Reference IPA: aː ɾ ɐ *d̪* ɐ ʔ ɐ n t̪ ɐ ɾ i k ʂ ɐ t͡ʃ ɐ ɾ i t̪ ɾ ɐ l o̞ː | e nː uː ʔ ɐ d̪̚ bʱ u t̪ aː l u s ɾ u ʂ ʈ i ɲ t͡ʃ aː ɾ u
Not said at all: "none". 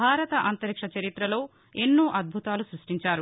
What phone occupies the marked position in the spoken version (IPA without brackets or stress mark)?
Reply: t̪